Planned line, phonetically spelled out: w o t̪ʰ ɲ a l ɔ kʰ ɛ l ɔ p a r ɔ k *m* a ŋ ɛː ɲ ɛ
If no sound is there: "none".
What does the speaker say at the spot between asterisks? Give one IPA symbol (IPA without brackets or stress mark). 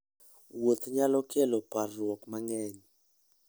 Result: m